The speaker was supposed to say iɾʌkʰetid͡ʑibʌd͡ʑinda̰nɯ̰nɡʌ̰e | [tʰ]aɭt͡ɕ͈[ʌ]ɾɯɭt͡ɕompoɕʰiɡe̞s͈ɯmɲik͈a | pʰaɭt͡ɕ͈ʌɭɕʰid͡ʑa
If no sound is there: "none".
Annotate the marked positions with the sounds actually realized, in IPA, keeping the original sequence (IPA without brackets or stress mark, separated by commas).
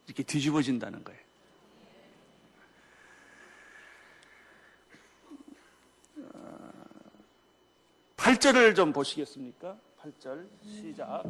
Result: pʰ, ʌ